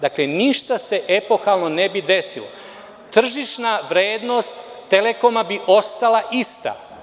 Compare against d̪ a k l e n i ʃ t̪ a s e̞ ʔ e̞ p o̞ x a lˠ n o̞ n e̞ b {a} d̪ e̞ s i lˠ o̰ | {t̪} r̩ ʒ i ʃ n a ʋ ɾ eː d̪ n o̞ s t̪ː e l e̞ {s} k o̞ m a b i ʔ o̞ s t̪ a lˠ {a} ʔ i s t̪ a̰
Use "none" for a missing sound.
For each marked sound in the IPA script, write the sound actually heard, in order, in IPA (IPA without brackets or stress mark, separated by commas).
i, t̪, none, a